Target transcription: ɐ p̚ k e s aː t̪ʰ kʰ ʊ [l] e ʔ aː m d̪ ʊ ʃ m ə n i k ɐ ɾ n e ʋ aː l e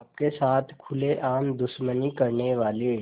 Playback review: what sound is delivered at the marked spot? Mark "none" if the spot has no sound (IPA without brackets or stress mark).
l